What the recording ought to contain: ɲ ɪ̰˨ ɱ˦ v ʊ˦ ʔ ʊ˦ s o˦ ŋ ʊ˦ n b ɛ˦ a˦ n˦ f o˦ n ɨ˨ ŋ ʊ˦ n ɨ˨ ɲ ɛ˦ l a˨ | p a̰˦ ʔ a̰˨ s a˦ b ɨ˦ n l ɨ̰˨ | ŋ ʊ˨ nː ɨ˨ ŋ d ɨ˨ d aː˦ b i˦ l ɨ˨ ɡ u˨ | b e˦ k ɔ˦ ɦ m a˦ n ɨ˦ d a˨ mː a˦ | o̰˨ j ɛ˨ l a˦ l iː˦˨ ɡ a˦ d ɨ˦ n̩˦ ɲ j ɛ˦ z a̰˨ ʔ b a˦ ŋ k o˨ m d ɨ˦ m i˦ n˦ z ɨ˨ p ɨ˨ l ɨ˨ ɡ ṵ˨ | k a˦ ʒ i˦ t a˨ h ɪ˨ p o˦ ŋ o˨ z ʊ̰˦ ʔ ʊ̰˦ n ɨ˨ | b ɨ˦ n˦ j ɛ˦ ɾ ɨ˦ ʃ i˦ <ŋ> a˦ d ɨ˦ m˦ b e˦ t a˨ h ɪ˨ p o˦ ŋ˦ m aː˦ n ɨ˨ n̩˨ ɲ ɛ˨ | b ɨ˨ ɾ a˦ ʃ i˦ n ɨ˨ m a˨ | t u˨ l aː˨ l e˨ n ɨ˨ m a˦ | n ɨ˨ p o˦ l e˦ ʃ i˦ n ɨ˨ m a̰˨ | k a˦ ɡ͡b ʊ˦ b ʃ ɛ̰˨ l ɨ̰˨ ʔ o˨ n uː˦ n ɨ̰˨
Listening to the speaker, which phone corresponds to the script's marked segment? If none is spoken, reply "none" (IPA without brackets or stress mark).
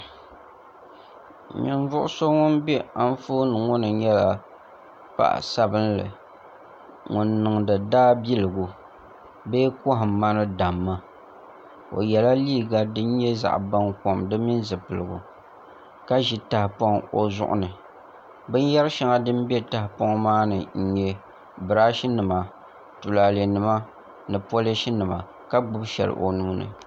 ŋ